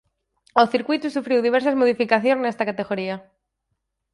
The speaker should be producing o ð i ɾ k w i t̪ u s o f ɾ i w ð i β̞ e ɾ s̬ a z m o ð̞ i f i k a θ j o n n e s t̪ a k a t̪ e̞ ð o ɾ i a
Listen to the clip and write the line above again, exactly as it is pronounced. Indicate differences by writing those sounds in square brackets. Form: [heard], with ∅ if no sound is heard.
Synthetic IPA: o [θ] i ɾ k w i t̪ u s [u] f ɾ i w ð i β̞ e ɾ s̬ a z m o ð̞ i f i k a θ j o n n e s t̪ a k a t̪ e̞ [ɣ] o ɾ i a